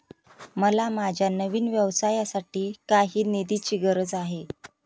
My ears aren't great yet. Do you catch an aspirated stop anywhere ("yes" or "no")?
no